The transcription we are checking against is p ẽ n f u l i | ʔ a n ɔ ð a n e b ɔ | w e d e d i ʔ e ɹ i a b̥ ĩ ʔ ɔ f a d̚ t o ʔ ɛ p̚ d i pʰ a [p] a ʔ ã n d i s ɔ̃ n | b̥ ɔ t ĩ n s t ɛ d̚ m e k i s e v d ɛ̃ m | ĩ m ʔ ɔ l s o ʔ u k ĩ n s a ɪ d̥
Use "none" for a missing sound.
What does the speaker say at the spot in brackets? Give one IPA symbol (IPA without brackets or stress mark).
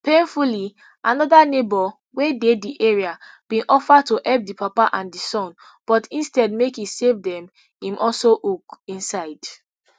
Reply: p